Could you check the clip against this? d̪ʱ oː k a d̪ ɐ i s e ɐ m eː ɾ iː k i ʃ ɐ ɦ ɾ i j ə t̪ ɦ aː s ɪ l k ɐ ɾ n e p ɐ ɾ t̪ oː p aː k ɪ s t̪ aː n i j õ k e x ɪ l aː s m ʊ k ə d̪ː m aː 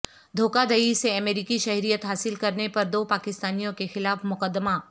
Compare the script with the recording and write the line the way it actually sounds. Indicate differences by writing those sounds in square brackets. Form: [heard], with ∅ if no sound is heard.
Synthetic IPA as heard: d̪ʱ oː k a d̪ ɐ i s e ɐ m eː ɾ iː k i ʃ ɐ ɦ ɾ i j ə t̪ ɦ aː s ɪ l k ɐ ɾ n e p ɐ ɾ [d̪] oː p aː k ɪ s t̪ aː n i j õ k e x ɪ l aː [f] m ʊ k ə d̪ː m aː